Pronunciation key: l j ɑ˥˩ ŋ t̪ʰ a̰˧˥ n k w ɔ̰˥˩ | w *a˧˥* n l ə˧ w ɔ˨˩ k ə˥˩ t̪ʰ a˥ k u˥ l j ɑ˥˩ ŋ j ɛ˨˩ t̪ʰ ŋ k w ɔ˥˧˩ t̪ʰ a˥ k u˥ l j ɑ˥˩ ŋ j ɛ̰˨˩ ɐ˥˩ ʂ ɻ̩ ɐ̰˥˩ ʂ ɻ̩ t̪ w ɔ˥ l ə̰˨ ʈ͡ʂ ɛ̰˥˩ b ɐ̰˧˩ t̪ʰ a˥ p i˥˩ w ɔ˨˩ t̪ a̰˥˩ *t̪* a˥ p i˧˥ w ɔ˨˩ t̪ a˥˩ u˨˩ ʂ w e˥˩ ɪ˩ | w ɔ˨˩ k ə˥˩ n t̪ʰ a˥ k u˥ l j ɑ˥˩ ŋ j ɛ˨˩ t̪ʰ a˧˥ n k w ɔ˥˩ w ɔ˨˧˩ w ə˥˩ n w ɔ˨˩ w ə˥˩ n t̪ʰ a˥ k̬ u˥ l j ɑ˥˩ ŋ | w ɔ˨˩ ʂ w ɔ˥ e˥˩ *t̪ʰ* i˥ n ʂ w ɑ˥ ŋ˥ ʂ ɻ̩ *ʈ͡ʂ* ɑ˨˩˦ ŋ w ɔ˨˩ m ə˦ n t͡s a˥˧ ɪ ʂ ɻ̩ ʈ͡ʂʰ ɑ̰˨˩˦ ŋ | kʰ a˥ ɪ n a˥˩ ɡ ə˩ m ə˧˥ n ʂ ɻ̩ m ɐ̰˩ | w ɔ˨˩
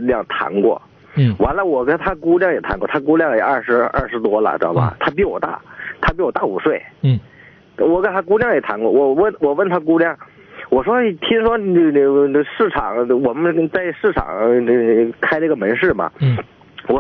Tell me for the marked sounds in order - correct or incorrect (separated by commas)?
correct, incorrect, correct, incorrect